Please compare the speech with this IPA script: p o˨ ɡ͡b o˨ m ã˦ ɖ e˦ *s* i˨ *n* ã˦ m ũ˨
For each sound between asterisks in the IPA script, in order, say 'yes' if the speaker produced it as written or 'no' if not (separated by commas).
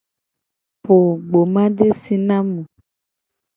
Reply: yes, yes